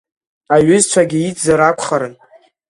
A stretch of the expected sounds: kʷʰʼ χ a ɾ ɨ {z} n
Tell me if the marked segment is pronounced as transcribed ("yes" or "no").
no